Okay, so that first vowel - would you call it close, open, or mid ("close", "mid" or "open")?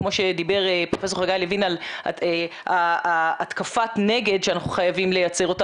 mid